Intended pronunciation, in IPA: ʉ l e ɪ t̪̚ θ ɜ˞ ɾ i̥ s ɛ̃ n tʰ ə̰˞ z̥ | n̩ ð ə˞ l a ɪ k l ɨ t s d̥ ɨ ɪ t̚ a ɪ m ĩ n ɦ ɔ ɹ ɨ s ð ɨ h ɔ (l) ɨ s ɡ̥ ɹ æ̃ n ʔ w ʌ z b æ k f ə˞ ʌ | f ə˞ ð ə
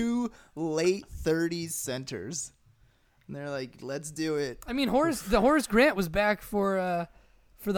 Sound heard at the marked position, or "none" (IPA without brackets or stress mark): ɹ